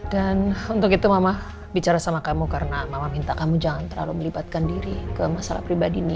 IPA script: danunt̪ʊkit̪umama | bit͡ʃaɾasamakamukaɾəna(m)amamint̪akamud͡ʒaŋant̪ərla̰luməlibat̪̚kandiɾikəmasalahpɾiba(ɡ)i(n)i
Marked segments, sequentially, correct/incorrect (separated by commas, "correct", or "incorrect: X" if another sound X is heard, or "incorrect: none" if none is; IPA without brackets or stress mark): correct, incorrect: d, correct